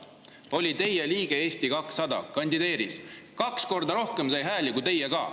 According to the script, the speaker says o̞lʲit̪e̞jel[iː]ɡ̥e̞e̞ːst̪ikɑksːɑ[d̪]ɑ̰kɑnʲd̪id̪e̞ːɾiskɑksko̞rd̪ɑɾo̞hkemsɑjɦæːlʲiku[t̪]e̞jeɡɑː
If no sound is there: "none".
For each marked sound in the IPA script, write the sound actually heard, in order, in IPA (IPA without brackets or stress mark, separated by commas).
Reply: iː, d̪, t̪